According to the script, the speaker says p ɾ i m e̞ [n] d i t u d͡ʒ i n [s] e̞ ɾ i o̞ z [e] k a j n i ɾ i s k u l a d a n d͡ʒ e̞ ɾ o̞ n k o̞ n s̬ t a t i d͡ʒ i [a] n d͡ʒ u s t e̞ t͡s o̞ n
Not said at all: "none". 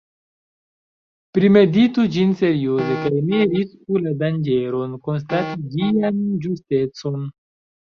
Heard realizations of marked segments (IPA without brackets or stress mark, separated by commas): none, s, e, a